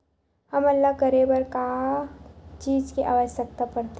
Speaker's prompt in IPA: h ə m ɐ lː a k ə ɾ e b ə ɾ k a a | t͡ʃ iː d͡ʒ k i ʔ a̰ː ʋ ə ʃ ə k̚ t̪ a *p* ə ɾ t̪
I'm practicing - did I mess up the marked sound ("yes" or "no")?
no